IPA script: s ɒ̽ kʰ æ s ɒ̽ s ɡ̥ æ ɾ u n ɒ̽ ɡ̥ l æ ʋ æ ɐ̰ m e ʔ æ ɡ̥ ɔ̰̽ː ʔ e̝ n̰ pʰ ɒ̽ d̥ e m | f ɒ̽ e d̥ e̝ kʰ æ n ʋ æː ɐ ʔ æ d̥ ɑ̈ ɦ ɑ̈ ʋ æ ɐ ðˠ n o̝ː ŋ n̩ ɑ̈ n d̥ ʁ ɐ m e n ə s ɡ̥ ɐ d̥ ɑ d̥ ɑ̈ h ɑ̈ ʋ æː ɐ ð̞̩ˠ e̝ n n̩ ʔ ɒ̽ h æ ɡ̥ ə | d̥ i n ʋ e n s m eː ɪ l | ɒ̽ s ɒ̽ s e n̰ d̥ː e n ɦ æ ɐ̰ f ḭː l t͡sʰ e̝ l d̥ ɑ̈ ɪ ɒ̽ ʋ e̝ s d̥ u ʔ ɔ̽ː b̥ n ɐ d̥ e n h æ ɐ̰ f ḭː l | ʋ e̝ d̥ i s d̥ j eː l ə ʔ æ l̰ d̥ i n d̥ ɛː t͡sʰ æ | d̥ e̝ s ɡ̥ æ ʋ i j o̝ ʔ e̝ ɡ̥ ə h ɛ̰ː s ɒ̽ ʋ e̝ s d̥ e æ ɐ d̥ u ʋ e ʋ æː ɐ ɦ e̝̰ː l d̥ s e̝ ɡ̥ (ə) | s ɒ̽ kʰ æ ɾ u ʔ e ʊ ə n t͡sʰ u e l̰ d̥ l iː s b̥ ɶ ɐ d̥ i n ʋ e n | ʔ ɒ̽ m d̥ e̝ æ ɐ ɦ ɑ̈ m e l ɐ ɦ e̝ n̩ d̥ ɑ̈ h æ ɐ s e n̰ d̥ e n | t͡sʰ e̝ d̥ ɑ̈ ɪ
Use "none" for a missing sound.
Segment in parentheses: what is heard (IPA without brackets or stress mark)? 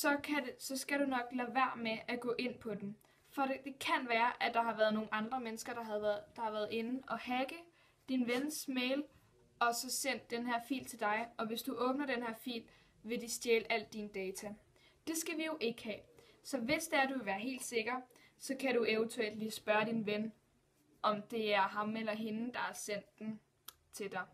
ɐ